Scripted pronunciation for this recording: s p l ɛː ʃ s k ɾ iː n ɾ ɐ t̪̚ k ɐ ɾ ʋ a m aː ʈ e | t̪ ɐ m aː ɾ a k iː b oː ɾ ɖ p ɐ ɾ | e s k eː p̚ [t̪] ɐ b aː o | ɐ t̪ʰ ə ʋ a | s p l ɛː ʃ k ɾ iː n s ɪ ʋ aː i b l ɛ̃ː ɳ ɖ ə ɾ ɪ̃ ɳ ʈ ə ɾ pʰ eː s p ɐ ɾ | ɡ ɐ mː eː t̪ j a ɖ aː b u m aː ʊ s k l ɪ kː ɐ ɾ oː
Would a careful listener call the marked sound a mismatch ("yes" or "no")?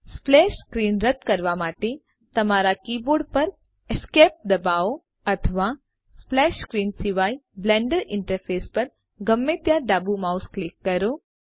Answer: yes